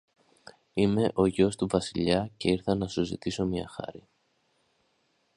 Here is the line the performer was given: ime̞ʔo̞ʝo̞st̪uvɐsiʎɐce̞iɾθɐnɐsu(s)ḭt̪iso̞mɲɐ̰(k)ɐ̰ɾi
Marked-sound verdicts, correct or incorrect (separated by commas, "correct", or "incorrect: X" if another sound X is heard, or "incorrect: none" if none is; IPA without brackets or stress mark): incorrect: z, incorrect: x